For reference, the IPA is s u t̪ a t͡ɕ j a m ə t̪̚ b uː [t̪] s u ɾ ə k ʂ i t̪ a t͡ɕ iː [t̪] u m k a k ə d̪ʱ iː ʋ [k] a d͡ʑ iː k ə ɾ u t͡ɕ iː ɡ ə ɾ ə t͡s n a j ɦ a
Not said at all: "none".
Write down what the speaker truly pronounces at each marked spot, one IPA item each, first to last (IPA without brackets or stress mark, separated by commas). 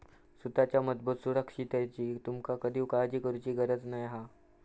t̪, t̪, k